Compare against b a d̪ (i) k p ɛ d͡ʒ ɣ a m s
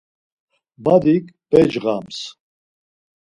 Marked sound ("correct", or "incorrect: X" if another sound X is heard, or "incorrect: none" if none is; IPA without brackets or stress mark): correct